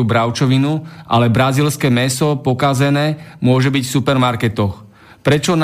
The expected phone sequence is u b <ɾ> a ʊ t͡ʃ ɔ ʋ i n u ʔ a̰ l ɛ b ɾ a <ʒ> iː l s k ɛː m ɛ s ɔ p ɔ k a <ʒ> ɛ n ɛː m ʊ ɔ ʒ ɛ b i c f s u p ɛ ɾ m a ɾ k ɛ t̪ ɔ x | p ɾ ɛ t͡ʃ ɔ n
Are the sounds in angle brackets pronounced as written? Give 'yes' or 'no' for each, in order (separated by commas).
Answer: yes, no, no